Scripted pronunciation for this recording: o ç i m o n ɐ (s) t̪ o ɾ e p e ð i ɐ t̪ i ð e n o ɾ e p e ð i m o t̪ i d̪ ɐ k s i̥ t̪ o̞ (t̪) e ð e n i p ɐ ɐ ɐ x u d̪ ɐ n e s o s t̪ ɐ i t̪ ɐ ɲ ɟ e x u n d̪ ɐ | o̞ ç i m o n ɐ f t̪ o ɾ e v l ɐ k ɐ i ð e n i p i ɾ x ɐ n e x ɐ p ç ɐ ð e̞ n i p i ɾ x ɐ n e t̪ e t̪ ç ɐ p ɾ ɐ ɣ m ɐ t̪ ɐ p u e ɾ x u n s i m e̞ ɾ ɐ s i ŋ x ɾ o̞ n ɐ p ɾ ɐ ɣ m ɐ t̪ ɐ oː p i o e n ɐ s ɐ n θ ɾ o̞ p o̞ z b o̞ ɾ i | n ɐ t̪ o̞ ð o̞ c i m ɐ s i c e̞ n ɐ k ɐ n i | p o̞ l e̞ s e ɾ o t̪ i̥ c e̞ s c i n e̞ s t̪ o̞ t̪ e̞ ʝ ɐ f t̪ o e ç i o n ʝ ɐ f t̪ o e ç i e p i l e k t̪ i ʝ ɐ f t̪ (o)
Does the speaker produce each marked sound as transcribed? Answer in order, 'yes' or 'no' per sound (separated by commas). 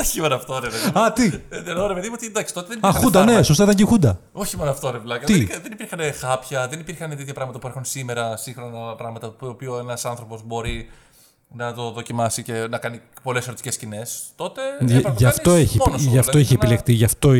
no, yes, yes